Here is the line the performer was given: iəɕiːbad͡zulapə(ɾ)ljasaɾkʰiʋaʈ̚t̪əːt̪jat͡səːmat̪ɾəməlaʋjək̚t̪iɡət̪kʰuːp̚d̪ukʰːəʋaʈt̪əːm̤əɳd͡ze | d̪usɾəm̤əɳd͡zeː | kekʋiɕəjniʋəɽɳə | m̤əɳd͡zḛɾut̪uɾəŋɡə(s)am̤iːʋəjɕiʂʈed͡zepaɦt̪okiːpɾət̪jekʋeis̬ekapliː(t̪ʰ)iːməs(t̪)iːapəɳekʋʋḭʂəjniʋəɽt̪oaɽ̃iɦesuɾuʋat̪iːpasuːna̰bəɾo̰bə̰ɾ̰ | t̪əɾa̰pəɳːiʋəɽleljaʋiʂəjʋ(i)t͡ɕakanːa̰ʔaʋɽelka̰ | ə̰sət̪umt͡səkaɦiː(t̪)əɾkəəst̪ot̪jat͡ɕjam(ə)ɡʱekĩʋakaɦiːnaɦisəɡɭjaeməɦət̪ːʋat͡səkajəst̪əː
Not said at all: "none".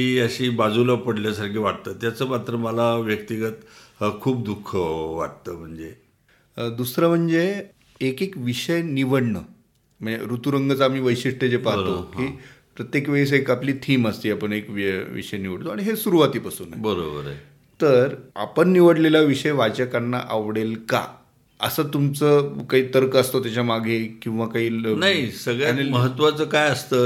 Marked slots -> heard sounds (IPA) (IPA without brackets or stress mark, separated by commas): ɽ, t͡s, t̪ʰ, t̪, a, t̪, a